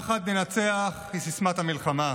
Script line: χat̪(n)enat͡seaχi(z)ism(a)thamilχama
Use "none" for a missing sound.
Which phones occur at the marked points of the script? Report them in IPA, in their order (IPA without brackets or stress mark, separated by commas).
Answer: n, s, a